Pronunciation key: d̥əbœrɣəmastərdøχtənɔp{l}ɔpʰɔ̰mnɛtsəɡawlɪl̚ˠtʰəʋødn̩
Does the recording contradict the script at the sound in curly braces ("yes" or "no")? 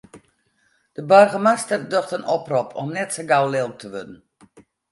yes